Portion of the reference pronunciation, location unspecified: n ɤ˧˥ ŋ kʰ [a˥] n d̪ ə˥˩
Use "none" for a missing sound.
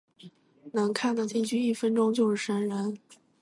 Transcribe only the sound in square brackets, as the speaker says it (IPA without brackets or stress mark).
a˥˩